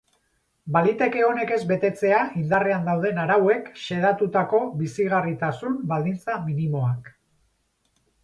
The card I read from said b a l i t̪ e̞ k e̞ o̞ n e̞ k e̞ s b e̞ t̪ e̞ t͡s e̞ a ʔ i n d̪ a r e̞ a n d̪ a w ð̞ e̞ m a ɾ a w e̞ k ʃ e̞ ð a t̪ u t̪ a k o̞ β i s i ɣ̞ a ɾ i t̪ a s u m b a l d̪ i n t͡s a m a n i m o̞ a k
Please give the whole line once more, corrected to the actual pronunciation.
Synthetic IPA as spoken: b a l i t̪ e̞ k e̞ o̞ n e̞ k e̞ z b e̞ t̪ e̞ t͡s e̞ a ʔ i n d̪ a r e̞ a n d̪ a w ð̞ e̞ n a ɾ a w e̞ k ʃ e̞ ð a t̪ u t̪ a k o̞ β i s i ɣ̞ a r i t̪ a s u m b a l d̪ i n t͡s a m i n i m o̞ a k